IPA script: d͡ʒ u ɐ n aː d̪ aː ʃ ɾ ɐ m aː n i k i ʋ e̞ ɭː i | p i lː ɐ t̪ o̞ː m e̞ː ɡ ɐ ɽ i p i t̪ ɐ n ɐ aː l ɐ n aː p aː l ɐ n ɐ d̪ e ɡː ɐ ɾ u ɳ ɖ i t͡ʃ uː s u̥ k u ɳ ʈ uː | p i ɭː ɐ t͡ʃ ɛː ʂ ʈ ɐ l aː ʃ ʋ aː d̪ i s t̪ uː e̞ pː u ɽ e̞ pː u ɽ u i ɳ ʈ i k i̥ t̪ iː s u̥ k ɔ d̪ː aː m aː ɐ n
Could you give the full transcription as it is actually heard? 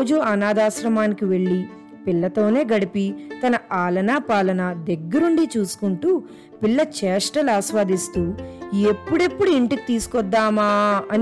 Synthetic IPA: d͡ʒ u ɐ n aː d̪ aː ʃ ɾ ɐ m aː n i k i ʋ e̞ ɭː i | p i lː ɐ t̪ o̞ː n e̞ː ɡ ɐ ɽ i p i t̪ ɐ n ɐ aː l ɐ n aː p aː l ɐ n ɐ d̪ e ɡː ɐ ɾ u ɳ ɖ i t͡ʃ uː s u̥ k u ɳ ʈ uː | p i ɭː ɐ t͡ʃ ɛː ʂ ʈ ɐ l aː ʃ ʋ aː d̪ i s t̪ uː e̞ pː u ɽ e̞ pː u ɽ u i ɳ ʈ i k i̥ t̪ iː s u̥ k ɔ d̪ː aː m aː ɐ n